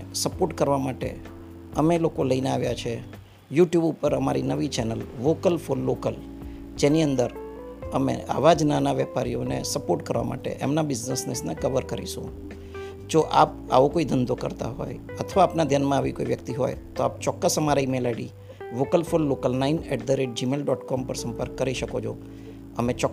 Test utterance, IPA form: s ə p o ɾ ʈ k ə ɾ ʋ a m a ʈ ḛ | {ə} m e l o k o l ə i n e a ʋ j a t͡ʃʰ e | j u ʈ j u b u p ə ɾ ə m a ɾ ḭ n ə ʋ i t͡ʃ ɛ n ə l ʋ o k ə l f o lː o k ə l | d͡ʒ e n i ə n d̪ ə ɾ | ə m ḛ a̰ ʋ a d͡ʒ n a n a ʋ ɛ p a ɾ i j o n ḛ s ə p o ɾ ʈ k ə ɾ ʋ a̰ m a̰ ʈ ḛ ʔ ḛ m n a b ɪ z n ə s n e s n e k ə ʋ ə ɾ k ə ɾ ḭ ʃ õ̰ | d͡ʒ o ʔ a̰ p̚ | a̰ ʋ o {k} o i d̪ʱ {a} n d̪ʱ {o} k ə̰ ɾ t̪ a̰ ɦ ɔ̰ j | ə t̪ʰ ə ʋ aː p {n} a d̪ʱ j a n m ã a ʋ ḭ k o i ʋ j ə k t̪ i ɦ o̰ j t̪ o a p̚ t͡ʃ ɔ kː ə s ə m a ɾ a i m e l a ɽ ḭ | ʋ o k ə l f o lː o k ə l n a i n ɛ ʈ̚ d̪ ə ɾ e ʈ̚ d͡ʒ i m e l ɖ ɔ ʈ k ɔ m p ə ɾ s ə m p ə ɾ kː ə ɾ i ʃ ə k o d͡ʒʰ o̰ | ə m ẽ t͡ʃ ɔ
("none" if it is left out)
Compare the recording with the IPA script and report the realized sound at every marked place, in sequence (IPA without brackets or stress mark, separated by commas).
ə, k, ə, o, n